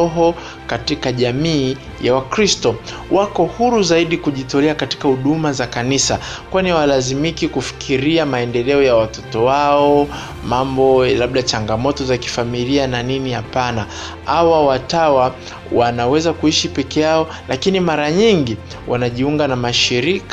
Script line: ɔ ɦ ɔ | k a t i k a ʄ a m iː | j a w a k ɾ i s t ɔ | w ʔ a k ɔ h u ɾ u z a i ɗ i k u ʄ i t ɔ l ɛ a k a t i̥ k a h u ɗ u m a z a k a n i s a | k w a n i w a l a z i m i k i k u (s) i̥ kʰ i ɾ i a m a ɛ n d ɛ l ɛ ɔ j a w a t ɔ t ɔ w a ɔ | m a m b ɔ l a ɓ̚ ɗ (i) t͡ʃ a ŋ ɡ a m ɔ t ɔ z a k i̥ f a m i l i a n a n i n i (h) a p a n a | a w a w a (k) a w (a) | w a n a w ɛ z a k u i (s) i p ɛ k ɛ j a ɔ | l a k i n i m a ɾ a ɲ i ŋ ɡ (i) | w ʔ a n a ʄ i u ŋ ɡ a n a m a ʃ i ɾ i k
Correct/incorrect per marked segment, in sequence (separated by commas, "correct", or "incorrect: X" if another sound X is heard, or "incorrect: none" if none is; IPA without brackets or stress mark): incorrect: f, incorrect: a, correct, incorrect: t, correct, incorrect: ʃ, correct